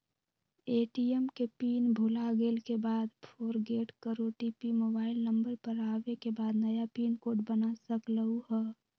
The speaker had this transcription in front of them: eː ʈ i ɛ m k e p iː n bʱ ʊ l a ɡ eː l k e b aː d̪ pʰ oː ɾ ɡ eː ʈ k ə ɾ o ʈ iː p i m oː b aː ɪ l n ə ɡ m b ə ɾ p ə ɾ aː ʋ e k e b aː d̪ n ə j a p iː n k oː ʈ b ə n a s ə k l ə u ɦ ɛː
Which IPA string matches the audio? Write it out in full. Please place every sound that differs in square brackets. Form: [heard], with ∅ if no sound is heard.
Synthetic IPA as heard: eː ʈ i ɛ m k e p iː n bʱ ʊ l a ɡ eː l k e b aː d̪ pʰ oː ɾ ɡ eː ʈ k ə ɾ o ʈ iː p i m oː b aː ɪ l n ə [∅] m b ə ɾ p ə ɾ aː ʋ e k e b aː d̪ n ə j a p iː n k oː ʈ b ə n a s ə k l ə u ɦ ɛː